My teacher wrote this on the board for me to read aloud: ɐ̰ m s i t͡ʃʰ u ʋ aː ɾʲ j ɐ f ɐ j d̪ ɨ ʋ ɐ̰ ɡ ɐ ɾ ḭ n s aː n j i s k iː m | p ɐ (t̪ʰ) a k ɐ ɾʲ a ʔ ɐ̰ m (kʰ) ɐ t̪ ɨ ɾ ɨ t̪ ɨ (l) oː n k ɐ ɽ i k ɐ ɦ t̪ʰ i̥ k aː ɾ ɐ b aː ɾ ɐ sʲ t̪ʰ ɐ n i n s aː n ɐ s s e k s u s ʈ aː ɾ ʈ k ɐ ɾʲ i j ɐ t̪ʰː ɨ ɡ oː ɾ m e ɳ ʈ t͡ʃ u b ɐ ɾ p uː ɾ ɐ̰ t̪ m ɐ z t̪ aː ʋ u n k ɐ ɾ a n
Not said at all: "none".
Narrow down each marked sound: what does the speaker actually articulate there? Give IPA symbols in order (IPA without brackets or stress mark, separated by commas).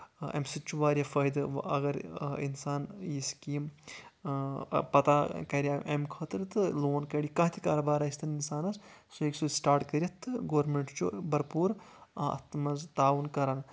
t̪, kʰ, l